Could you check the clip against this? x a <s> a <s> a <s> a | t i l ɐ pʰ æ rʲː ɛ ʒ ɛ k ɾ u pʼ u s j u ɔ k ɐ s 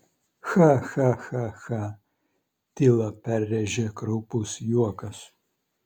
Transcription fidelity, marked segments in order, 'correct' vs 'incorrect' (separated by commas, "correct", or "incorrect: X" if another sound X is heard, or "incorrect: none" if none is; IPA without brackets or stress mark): incorrect: x, incorrect: x, incorrect: x